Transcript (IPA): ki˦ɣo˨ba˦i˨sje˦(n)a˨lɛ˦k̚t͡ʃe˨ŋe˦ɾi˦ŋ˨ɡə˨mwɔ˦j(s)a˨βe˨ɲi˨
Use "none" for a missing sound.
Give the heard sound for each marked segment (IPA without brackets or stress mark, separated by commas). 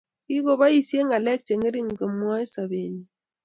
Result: ŋ, s